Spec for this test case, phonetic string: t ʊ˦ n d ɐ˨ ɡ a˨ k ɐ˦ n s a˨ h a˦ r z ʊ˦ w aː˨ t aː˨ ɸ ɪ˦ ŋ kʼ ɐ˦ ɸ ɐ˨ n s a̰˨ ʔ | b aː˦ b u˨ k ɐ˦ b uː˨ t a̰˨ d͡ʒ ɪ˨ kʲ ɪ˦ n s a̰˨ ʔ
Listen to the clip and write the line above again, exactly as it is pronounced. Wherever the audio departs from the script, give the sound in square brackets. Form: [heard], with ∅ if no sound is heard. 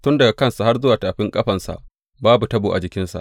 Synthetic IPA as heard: t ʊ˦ n d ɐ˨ ɡ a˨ k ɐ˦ n s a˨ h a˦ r z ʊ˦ w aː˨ t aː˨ ɸ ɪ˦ ŋ kʼ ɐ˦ ɸ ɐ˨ n s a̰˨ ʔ | b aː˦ b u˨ [t] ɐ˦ b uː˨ [ʔ] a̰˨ d͡ʒ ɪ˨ kʲ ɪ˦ n s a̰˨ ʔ